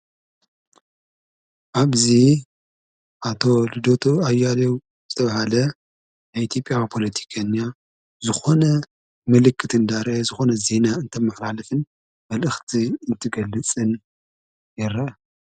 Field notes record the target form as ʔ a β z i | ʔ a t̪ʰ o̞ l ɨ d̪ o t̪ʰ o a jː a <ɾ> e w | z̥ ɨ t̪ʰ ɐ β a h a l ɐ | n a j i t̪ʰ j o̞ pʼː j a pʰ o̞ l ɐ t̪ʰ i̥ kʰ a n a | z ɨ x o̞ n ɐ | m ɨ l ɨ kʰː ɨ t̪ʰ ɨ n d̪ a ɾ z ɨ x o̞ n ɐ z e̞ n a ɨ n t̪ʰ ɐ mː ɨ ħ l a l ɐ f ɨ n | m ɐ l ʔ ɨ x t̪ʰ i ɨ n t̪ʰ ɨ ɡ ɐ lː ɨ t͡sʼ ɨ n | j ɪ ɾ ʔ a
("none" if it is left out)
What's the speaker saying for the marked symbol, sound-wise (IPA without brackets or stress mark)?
l